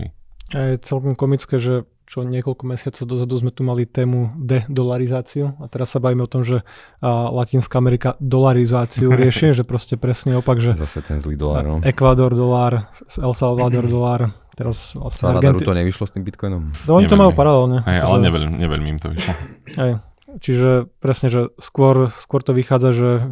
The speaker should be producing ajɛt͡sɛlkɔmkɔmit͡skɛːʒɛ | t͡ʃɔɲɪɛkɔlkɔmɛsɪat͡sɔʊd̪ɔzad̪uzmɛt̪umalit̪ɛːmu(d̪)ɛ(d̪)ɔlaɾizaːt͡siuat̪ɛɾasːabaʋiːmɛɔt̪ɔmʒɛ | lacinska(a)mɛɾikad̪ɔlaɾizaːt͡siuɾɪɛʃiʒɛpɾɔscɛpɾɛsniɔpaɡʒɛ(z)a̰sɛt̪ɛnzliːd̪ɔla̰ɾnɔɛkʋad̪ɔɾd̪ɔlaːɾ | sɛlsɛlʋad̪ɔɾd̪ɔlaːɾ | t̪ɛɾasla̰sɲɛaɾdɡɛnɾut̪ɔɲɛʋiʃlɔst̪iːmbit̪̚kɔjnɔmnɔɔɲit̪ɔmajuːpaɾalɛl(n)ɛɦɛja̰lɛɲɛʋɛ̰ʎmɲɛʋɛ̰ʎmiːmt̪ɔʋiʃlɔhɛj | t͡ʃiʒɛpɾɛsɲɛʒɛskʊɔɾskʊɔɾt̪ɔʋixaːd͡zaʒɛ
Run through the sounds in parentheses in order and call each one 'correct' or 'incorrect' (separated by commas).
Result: correct, correct, correct, correct, incorrect